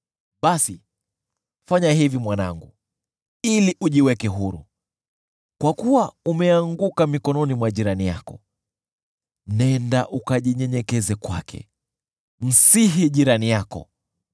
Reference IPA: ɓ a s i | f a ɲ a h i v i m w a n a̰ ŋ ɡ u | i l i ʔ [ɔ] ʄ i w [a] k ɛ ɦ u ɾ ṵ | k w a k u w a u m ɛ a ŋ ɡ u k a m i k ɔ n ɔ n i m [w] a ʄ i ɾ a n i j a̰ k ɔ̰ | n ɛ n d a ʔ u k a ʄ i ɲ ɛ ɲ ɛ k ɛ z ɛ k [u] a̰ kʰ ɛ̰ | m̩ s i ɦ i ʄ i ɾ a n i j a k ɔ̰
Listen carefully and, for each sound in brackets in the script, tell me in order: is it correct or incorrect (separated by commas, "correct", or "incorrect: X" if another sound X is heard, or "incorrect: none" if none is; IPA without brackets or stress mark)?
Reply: incorrect: u, incorrect: ɛ, correct, incorrect: w